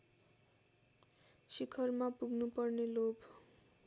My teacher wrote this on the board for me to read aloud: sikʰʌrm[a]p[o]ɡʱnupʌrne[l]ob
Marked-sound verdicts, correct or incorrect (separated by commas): correct, incorrect, correct